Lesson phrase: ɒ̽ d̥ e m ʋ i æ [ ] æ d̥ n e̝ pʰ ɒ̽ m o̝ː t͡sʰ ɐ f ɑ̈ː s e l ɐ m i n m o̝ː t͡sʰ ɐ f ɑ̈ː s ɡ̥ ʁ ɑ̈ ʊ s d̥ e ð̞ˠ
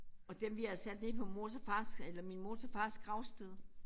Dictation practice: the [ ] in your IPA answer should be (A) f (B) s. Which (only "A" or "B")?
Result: B